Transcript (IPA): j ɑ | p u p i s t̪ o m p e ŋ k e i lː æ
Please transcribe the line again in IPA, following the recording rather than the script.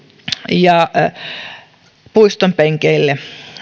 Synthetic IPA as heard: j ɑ | p u i s t̪ o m p e ŋ k e i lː e